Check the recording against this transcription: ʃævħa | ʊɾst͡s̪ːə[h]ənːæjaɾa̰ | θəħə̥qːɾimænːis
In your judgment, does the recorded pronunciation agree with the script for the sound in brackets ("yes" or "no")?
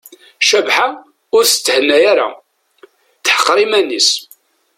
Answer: yes